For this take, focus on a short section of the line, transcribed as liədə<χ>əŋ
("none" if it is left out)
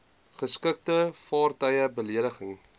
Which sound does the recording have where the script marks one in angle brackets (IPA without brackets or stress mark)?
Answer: χ